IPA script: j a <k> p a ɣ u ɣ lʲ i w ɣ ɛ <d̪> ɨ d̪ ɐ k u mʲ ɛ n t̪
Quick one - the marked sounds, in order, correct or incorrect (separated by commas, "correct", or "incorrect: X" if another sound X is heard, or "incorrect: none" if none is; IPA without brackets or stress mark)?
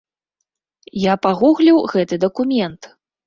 incorrect: none, incorrect: t̪